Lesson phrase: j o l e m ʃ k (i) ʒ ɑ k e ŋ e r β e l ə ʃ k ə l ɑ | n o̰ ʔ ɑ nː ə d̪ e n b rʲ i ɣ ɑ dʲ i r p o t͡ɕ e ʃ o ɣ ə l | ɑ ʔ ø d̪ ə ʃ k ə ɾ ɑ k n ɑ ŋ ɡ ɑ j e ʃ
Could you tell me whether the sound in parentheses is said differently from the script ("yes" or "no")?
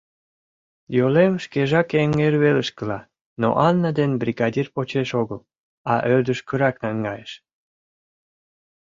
yes